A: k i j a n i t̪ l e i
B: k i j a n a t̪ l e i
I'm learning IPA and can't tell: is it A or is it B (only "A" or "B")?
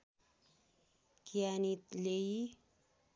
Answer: A